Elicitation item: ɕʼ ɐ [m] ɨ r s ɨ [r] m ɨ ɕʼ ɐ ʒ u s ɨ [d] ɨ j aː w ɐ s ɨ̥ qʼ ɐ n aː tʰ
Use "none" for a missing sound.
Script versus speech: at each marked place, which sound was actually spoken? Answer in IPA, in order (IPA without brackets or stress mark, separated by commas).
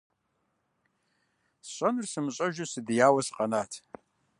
n, none, d